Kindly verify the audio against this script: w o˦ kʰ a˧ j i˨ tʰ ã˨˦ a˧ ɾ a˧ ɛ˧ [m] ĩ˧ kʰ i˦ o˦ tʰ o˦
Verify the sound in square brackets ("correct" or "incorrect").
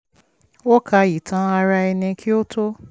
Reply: incorrect